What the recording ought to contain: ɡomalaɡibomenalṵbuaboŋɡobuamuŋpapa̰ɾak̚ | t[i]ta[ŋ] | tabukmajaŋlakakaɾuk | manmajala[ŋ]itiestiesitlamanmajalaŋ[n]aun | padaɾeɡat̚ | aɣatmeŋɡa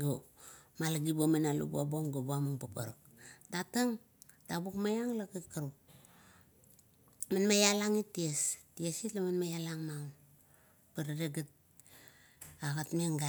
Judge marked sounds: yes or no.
no, yes, yes, no

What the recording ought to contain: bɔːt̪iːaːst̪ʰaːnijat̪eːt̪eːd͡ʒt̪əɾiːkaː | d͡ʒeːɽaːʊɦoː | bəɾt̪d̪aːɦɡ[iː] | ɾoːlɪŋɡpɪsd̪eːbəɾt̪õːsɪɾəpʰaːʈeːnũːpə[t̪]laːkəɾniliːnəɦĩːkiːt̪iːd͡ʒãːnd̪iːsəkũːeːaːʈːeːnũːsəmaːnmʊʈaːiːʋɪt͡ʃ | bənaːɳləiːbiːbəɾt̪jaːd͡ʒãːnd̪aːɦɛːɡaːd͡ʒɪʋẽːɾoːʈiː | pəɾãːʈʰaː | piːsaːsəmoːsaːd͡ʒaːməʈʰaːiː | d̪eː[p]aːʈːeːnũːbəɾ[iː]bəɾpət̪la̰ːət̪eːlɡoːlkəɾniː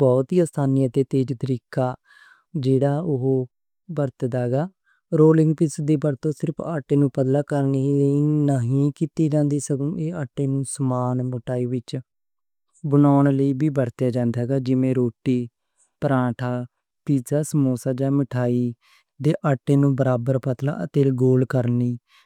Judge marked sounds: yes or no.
no, no, no, no

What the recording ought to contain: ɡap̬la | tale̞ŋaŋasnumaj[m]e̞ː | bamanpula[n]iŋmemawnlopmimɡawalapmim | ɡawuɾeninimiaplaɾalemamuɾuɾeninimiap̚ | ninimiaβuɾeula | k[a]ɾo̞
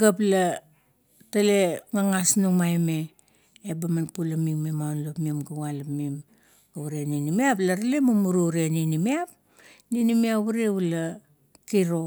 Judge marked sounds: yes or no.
yes, no, no

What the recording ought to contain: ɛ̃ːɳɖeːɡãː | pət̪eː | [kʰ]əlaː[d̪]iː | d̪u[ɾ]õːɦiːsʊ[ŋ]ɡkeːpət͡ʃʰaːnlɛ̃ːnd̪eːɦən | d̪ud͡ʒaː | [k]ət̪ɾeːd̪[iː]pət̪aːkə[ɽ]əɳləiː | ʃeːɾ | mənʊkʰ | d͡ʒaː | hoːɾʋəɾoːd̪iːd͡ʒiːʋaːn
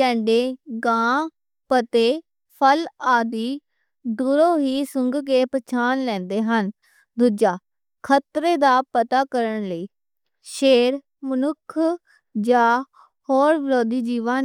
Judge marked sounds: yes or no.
no, yes, yes, yes, no, no, no

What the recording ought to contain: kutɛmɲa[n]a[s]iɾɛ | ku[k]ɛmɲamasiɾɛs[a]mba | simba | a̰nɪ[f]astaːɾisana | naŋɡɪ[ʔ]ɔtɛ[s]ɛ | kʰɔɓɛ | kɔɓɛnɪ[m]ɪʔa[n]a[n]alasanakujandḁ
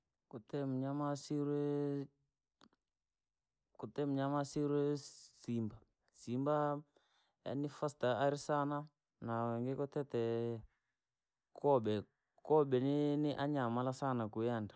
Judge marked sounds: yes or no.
no, yes, no, no, yes, no, no, no, no, no

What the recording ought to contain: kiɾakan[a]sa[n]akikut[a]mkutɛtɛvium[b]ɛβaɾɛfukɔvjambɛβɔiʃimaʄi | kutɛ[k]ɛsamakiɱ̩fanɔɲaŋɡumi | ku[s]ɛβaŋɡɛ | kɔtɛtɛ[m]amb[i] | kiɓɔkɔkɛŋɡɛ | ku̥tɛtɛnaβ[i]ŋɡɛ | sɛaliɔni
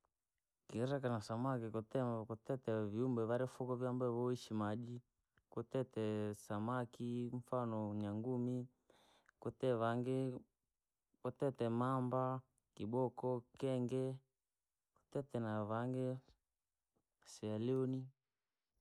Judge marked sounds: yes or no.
yes, no, no, yes, no, no, yes, no, no

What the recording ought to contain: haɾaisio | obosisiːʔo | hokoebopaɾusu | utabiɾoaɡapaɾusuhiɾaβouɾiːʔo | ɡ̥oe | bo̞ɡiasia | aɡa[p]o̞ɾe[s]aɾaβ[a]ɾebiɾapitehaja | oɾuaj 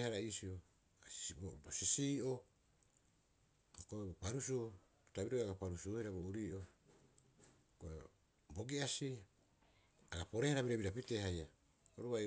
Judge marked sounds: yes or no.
yes, no, no

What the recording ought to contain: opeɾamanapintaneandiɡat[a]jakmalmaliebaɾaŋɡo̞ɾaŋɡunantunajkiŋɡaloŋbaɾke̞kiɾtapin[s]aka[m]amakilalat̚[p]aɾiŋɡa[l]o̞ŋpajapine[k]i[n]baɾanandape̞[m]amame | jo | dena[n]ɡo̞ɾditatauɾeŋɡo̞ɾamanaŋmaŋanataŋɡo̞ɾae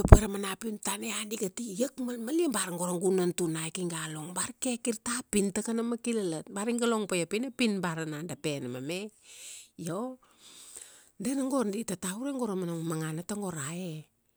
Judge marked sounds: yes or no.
no, no, no, no, yes, no, yes, no, no

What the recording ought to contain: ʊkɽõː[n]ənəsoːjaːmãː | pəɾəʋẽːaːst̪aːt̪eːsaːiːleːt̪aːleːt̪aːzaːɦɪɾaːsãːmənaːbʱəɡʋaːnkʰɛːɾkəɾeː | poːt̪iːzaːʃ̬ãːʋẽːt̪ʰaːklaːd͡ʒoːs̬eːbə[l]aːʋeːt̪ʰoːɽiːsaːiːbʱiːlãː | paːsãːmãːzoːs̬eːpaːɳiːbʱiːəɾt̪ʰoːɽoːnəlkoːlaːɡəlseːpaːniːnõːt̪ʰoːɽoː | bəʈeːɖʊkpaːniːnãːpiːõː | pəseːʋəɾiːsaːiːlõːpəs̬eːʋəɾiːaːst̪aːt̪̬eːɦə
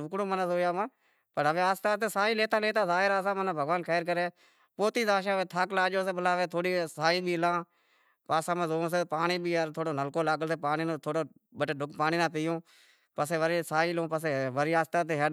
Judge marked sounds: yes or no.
no, yes

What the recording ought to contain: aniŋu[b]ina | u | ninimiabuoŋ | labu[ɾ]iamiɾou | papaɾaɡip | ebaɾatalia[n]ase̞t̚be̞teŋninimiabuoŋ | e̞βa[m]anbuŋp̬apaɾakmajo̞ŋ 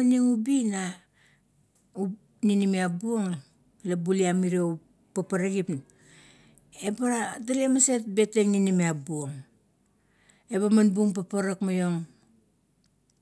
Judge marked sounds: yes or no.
yes, no, no, yes

